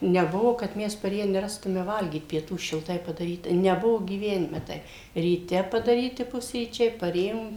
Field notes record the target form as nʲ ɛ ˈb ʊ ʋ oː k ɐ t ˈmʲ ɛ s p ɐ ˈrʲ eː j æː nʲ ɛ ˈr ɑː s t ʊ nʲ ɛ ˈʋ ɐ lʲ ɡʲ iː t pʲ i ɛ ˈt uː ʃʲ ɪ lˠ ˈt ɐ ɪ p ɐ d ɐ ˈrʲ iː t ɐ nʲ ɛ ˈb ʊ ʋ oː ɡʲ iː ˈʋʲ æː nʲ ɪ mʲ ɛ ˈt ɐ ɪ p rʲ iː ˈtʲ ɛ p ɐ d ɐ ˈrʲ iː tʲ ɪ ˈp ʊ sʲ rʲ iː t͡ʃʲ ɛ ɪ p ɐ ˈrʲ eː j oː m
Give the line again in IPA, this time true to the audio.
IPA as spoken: nʲ ɛ ˈb ʊ ʋ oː k ɐ t ˈmʲ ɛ s p ɐ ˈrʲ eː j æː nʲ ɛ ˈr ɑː s t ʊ mʲ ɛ ˈʋ ɐ lʲ ɡʲ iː t pʲ i ɛ ˈt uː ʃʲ ɪ lˠ ˈt ɐ ɪ p ɐ d ɐ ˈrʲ iː t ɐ nʲ ɛ ˈb ʊ ʋ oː ɡʲ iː ˈʋʲ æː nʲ ɪ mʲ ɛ ˈt ɐ ɪ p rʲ iː ˈtʲ ɛ p ɐ d ɐ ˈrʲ iː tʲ ɪ ˈp ʊ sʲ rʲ iː t͡ʃʲ ɛ ɪ p ɐ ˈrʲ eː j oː m